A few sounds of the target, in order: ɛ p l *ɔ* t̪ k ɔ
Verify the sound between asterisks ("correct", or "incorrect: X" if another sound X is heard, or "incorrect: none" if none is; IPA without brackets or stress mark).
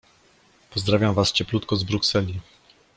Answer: incorrect: u